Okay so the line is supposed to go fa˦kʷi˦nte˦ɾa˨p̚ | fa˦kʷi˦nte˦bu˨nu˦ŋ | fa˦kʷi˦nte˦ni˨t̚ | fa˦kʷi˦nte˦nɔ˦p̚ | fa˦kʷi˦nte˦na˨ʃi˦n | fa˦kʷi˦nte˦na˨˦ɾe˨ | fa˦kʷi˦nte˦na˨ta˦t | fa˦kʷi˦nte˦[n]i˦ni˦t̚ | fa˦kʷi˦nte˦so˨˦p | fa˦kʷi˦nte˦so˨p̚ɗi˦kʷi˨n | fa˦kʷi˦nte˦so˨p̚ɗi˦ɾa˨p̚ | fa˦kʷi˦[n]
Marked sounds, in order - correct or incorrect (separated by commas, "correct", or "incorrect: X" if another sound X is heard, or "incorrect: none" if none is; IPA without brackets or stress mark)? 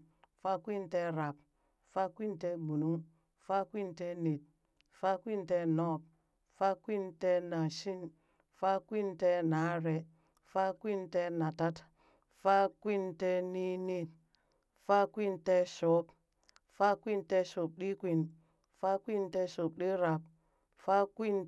correct, correct